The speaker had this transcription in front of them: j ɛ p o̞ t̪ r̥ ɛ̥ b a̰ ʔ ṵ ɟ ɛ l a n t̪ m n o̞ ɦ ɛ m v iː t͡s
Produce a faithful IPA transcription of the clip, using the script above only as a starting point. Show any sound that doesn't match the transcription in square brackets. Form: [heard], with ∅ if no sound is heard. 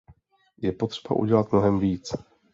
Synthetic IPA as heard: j ɛ p o̞ t̪ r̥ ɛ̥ b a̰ ʔ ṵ ɟ ɛ l a [∅] t̪ m n o̞ ɦ ɛ m v iː t͡s